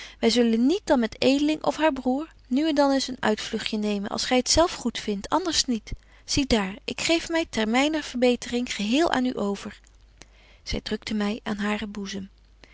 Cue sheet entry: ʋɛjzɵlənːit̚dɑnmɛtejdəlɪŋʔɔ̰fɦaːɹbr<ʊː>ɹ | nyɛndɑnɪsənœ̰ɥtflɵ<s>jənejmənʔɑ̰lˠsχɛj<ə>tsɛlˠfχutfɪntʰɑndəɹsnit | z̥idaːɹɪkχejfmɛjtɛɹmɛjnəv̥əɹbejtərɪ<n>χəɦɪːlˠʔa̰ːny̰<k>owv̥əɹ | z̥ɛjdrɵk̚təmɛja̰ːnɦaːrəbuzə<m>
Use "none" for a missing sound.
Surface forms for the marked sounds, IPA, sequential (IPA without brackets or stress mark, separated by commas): uː, χ, ə, ŋ, ʔ, m